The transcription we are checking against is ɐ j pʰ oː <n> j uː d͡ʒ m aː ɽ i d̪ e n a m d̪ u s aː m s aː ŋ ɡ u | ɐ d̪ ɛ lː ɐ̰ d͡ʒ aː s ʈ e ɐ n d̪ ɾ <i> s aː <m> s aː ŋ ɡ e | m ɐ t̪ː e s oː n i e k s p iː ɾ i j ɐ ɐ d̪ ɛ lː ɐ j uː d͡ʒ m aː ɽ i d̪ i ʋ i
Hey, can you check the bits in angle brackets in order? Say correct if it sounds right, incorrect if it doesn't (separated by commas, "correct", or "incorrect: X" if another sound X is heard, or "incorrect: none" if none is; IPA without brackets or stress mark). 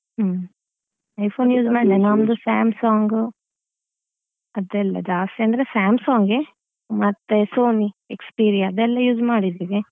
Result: correct, incorrect: e, correct